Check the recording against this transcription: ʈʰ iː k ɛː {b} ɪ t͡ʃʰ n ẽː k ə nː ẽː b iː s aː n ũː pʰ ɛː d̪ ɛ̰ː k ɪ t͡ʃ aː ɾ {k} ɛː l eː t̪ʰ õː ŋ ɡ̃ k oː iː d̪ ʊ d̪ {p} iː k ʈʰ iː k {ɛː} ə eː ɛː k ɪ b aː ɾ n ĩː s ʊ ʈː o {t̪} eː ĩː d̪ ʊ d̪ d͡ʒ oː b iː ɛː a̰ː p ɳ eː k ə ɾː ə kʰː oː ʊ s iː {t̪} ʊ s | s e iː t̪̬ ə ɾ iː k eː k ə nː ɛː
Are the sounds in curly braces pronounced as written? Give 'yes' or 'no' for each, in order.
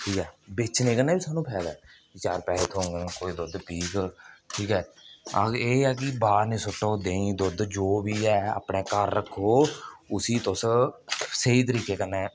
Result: yes, no, yes, yes, no, yes

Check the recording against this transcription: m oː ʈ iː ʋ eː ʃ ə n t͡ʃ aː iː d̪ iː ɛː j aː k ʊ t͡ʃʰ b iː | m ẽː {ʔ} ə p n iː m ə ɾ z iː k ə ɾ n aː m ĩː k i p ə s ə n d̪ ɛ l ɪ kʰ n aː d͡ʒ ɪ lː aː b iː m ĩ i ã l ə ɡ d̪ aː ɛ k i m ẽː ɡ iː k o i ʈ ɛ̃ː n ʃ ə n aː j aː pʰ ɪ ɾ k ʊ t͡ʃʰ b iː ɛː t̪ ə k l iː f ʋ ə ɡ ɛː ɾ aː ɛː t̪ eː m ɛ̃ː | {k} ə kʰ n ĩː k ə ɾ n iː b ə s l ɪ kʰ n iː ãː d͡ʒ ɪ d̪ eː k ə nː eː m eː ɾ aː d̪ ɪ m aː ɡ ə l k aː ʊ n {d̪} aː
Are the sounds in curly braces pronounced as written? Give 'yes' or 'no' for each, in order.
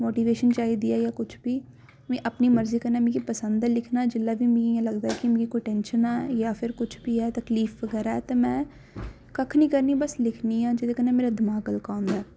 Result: yes, yes, yes

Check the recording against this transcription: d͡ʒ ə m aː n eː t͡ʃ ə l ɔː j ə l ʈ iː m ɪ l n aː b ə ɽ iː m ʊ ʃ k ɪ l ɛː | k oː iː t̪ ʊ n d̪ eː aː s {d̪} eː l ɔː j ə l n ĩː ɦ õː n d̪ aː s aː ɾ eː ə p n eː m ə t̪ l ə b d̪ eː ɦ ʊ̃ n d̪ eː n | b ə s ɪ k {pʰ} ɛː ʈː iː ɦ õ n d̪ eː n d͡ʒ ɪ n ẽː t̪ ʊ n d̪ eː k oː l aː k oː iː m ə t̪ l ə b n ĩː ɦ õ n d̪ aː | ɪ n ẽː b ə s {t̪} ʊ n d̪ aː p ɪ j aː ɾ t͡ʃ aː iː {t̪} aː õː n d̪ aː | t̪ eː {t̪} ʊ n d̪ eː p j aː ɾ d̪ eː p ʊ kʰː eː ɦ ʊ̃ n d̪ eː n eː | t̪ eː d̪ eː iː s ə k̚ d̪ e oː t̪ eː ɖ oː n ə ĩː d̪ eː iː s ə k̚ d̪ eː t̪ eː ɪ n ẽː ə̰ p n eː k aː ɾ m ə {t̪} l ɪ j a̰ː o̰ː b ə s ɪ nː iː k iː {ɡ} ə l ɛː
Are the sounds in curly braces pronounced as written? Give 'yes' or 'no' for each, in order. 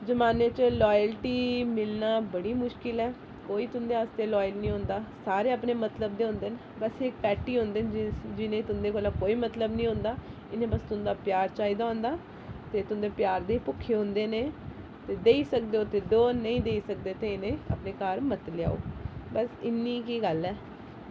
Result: no, no, yes, no, yes, yes, yes

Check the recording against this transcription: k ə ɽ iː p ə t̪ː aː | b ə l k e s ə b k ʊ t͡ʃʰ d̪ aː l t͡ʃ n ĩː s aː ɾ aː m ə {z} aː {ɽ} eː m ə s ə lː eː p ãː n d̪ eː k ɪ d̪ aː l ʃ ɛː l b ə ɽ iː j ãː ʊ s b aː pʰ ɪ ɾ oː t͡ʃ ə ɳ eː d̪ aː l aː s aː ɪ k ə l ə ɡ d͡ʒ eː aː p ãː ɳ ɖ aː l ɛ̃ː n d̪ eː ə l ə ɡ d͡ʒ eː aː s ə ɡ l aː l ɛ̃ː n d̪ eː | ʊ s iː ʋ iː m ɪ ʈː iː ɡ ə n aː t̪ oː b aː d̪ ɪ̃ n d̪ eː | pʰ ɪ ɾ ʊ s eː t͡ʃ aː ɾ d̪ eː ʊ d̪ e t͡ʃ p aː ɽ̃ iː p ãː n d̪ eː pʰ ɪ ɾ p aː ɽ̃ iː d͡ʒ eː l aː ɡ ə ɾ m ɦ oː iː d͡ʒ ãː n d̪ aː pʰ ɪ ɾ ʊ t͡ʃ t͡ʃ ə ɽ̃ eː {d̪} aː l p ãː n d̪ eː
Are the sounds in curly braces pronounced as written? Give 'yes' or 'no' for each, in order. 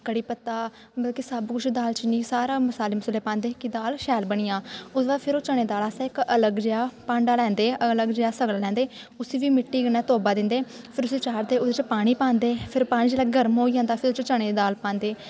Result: no, no, yes

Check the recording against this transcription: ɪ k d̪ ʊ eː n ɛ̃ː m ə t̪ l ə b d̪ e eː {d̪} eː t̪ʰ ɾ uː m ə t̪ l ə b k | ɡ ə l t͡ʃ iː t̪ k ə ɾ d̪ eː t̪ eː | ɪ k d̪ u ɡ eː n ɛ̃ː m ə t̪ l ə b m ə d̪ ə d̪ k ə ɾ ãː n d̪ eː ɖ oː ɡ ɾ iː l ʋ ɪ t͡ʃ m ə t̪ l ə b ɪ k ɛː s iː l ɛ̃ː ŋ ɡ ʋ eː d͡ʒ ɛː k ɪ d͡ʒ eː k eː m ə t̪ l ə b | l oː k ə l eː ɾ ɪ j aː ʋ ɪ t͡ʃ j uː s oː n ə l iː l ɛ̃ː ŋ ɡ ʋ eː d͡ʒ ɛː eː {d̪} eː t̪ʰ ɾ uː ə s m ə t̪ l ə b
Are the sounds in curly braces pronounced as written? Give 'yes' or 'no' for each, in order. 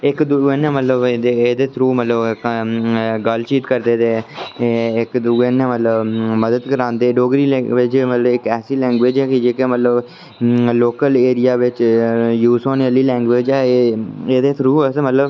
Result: yes, yes

